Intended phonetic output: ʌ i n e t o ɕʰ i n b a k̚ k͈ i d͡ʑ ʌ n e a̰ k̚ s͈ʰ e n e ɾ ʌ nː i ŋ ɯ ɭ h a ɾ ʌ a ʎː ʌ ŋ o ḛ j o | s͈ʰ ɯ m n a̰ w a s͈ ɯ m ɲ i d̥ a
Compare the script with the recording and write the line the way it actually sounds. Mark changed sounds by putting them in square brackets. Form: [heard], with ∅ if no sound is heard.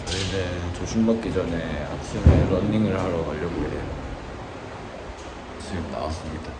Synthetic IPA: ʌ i n e [t͡ɕ] o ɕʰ i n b a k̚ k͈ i d͡ʑ ʌ n e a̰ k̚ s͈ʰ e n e ɾ ʌ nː i ŋ ɯ ɭ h a ɾ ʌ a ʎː ʌ [ɡ] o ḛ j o | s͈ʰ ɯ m n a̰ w a s͈ ɯ m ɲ i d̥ a